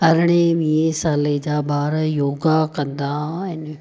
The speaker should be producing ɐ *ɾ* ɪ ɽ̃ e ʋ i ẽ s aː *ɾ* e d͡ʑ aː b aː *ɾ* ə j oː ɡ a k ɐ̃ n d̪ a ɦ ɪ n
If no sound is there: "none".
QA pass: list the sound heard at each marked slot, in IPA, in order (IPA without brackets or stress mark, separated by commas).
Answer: ɾ, l, ɾ